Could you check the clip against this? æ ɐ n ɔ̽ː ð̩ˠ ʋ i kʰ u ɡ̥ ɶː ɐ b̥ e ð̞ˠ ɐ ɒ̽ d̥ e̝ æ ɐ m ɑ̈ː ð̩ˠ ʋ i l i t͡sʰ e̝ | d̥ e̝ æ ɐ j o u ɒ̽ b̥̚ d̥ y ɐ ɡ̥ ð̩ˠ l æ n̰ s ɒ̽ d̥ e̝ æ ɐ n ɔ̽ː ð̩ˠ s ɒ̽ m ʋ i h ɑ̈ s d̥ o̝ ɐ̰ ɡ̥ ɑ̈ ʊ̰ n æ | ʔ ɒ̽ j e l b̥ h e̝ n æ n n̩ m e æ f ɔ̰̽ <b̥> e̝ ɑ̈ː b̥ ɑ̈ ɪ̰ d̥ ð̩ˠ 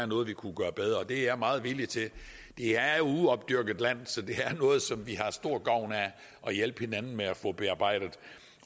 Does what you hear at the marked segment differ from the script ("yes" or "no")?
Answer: no